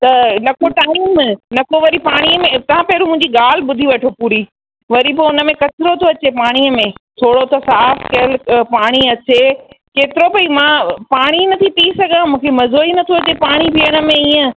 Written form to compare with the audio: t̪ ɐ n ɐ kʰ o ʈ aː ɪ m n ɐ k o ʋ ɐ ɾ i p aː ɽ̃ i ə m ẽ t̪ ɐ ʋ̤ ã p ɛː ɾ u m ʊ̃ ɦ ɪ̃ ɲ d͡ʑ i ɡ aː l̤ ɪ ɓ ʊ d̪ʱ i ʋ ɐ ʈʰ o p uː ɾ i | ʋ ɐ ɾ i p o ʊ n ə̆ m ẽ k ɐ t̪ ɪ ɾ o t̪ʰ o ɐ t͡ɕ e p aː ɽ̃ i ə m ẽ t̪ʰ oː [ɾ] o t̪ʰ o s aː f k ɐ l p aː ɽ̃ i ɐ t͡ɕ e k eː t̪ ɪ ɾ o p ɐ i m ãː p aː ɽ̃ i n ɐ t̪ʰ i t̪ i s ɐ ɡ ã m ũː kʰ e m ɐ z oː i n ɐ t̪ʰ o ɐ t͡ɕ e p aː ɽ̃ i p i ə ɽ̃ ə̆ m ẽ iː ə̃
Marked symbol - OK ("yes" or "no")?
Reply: no